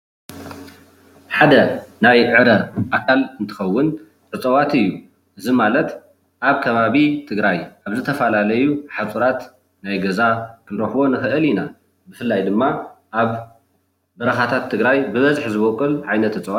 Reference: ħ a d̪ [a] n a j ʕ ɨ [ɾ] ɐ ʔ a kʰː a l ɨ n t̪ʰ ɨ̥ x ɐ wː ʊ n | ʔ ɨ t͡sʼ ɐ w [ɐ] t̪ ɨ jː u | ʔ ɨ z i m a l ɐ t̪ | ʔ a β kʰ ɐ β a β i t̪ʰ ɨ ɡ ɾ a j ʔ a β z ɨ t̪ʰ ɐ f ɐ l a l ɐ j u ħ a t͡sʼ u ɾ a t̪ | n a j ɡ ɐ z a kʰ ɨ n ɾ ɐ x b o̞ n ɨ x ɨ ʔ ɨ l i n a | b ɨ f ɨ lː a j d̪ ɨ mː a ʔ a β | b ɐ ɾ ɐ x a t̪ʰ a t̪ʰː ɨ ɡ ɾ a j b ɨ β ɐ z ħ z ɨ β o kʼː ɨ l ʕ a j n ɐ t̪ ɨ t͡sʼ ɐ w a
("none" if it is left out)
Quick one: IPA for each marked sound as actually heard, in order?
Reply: ɐ, ɾ, a

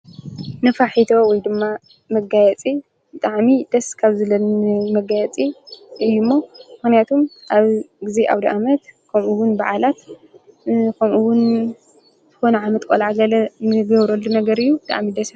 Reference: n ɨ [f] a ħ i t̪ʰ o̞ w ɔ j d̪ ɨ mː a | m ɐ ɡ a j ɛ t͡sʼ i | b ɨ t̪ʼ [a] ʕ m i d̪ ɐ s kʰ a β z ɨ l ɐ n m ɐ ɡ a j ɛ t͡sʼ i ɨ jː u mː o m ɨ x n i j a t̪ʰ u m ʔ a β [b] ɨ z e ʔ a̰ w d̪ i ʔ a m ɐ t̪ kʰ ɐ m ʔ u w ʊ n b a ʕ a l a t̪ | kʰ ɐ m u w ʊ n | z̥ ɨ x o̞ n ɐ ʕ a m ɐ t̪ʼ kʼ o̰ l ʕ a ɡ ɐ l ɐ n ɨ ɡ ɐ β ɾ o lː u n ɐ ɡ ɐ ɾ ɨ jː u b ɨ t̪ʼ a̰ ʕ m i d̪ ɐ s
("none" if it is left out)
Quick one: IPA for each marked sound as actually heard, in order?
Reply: f, a, ɡ

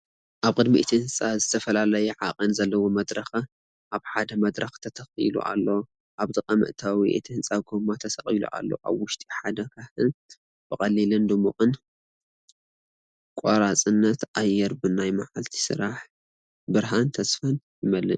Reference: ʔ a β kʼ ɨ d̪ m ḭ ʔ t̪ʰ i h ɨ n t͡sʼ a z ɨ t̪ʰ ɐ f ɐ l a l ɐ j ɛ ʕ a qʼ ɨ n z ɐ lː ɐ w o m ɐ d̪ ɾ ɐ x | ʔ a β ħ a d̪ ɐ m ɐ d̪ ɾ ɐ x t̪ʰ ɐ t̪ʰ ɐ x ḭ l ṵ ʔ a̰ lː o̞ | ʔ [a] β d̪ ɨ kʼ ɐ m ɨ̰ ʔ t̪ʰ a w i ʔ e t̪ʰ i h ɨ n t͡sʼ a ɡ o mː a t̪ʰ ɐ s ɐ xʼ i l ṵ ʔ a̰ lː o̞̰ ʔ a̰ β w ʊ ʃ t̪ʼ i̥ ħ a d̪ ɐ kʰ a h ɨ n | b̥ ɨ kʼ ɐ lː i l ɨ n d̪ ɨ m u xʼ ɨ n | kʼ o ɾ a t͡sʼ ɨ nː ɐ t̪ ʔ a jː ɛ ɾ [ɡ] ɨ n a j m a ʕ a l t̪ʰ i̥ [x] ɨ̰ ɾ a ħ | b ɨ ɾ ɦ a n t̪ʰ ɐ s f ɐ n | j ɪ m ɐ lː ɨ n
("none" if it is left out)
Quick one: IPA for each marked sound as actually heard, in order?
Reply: a, b, s

